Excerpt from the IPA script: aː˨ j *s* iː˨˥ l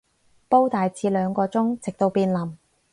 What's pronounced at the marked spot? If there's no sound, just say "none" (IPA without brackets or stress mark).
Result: t͡s